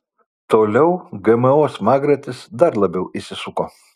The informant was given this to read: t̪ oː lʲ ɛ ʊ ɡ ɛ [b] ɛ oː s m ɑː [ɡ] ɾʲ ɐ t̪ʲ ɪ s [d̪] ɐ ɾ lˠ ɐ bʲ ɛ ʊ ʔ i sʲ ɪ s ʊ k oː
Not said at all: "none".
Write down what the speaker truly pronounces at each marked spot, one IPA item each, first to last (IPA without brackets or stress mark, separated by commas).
m, ɡ, d̪